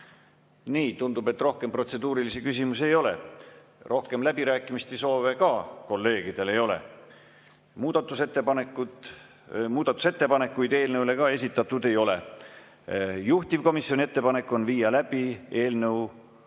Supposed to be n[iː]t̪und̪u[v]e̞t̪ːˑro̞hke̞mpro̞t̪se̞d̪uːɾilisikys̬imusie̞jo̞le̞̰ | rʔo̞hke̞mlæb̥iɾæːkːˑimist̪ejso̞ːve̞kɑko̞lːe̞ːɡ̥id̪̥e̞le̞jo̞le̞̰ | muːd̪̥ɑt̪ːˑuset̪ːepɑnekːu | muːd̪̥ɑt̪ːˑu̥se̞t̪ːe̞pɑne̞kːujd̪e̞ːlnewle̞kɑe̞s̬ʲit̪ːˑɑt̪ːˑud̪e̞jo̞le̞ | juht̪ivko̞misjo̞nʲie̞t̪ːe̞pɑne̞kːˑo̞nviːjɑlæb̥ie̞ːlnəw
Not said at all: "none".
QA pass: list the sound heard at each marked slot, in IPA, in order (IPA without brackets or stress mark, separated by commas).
iː, b